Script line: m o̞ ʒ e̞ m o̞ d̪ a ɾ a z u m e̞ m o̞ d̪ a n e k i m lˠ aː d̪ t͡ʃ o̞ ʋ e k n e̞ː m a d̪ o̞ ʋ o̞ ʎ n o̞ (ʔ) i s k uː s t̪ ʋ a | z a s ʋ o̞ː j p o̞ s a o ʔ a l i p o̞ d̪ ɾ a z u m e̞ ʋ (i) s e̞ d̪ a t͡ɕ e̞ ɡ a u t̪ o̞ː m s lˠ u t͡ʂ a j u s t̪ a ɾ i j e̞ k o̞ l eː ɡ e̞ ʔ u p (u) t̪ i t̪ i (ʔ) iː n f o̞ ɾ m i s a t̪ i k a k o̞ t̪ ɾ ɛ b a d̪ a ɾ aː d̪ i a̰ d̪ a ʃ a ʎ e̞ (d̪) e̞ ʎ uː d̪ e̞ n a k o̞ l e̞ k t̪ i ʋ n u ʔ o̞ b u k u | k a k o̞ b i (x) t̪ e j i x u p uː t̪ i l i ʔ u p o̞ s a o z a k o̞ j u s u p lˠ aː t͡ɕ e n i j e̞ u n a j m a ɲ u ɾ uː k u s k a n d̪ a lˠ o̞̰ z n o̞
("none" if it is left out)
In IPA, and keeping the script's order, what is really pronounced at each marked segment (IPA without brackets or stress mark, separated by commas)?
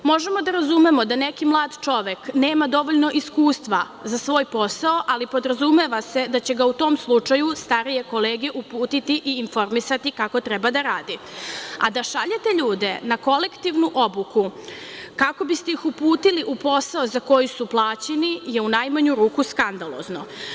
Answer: ʔ, a, uː, ʔ, t̪, s